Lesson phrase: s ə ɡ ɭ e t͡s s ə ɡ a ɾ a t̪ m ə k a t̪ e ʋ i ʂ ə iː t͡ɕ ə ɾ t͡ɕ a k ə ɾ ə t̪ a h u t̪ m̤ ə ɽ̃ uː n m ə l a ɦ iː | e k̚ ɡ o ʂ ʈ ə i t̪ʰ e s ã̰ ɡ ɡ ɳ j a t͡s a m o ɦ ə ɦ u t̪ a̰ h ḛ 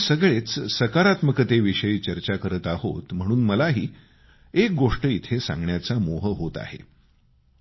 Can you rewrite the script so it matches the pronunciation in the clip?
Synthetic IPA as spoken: s ə ɡ ɭ e t͡s s ə k a ɾ a t̪ m ə k ə t̪ e ʋ i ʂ ə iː t͡ɕ ə ɾ t͡ɕ a k ə ɾ ə t̪ a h o t̪ m̤ ə ɽ̃ uː n m ə l a ɦ iː | e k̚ ɡ o ʂ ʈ ə i t̪ʰ e s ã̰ ŋ ɡ ɳ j a t͡s a m o ɦ ə ɦ o t̪ a̰ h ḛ